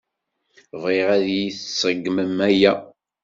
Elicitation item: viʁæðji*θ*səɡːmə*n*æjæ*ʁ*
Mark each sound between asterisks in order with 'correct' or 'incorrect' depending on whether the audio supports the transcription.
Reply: correct, incorrect, incorrect

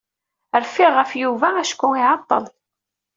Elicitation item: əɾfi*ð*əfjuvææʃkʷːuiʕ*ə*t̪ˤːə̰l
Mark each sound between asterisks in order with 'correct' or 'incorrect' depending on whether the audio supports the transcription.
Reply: incorrect, incorrect

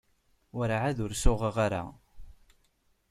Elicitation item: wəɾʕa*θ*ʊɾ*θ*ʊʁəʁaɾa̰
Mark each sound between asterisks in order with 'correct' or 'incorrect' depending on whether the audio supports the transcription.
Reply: incorrect, incorrect

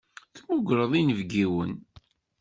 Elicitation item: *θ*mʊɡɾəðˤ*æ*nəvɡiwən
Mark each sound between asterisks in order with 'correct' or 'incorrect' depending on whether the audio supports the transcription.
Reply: correct, incorrect

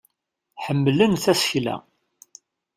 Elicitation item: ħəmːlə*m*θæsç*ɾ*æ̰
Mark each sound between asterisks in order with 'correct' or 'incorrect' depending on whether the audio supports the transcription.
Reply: incorrect, incorrect

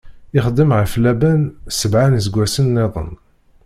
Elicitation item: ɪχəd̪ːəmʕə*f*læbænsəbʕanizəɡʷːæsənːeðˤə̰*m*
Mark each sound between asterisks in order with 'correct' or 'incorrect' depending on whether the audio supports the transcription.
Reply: correct, incorrect

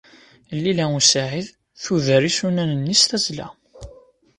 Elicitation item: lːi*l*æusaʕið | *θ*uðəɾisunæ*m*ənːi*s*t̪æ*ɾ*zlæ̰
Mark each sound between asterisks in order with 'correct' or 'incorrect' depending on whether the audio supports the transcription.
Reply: correct, correct, incorrect, correct, incorrect

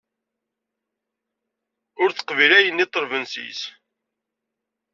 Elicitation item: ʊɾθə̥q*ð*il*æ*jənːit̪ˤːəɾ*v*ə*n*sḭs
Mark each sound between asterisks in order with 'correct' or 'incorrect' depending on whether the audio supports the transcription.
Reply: incorrect, correct, correct, correct

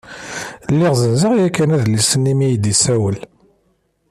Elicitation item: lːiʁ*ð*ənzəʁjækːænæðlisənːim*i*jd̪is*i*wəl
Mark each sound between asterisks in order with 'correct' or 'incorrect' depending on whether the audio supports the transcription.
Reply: incorrect, correct, incorrect

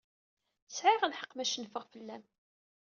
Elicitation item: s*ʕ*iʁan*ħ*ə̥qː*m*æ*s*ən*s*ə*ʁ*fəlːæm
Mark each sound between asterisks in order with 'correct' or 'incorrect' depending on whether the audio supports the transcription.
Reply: correct, correct, correct, incorrect, incorrect, correct

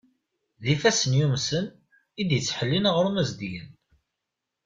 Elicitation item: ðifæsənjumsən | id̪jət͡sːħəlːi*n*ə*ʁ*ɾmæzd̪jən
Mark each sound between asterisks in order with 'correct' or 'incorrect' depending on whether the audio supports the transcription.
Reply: correct, correct

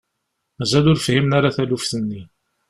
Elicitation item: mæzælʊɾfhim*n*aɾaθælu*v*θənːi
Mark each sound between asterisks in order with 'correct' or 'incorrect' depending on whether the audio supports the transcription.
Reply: correct, incorrect

